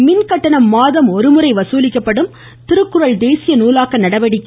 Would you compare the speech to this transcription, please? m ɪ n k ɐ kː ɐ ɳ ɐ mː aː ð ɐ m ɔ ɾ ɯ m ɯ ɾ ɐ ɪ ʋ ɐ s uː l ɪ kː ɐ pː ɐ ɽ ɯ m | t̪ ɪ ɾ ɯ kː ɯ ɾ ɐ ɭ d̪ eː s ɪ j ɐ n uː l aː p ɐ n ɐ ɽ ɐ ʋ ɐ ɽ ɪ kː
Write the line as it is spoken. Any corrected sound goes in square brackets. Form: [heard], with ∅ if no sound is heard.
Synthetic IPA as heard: m ɪ n k ɐ [ʈː] ɐ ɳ ɐ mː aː ð ɐ m ɔ ɾ ɯ m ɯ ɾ ɐ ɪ ʋ ɐ s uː l ɪ kː ɐ pː ɐ ɽ ɯ m | t̪ ɪ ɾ ɯ kː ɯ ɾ ɐ ɭ d̪ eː s ɪ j ɐ n uː l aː [k] ɐ n ɐ ɽ ɐ ʋ ɐ ɽ ɪ kː